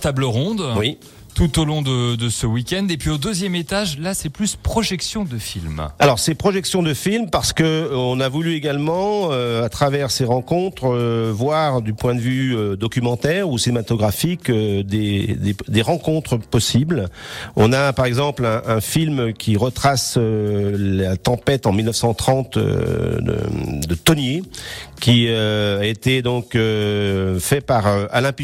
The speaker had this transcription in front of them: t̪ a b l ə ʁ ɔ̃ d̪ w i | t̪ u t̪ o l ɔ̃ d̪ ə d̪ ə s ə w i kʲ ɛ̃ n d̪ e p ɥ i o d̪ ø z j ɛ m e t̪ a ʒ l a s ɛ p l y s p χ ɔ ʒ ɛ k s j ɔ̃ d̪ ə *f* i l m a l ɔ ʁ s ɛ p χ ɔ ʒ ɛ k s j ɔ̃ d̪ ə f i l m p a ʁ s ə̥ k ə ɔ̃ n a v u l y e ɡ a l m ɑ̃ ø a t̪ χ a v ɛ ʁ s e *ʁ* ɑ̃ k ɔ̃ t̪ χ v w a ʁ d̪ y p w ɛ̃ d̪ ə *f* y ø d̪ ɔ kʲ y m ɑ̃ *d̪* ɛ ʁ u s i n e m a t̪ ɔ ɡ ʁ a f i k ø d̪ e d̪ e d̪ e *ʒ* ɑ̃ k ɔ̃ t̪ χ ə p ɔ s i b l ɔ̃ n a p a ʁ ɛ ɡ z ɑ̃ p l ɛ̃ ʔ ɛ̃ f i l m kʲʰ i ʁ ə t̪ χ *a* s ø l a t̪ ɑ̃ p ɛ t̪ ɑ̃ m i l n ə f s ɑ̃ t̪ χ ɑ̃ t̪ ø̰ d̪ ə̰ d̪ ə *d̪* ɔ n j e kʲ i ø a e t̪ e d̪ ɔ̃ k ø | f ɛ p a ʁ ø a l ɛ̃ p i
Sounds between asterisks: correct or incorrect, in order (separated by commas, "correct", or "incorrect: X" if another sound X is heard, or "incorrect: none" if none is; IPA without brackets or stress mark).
correct, correct, incorrect: v, incorrect: t̪, incorrect: ʁ, correct, incorrect: t̪